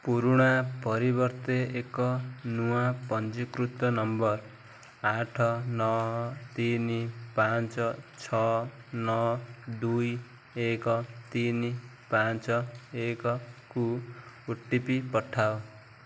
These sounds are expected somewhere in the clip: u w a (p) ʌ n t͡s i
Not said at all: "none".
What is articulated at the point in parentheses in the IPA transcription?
p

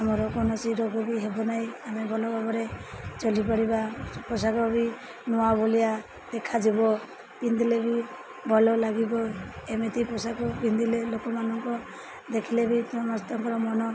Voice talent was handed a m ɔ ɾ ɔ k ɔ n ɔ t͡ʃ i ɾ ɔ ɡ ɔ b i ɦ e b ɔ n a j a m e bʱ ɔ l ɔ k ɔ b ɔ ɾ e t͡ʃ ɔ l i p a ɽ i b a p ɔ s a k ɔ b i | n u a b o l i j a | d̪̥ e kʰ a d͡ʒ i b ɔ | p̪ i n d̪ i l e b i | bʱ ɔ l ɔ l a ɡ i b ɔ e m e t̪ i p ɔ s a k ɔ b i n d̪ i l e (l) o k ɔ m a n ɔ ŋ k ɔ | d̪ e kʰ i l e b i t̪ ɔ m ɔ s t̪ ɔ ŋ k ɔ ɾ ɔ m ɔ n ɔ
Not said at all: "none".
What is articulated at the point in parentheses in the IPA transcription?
l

